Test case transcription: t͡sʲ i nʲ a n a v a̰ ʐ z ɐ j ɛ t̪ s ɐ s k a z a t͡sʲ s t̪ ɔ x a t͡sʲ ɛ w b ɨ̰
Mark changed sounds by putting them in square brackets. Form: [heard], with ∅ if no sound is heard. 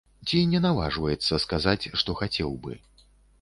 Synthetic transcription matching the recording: t͡sʲ i nʲ [ɛ] n a v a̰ ʐ [v] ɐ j ɛ t̪ [sː] ɐ s k a z a t͡sʲ [ʂ] t̪ ɔ x a t͡sʲ ɛ w b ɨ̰